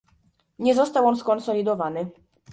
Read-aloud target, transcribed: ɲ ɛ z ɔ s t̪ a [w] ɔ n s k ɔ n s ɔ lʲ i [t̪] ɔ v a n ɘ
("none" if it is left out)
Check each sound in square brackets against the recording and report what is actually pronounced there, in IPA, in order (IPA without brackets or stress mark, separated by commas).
w, d̪